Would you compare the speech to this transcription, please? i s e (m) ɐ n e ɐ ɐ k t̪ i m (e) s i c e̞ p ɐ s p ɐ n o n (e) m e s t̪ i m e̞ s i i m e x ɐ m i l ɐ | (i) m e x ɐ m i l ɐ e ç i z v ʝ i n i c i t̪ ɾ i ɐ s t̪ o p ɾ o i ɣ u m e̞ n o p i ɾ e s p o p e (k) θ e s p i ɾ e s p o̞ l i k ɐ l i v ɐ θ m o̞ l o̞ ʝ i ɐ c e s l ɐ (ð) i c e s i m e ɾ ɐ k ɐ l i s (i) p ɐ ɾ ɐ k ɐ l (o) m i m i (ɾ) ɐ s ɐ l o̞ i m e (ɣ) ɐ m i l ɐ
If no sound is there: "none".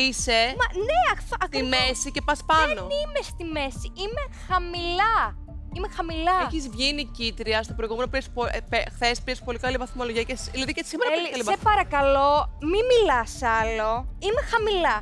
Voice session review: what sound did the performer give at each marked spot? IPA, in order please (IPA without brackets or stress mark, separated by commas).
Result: m, e, i, i, x, ð, e, o, l, x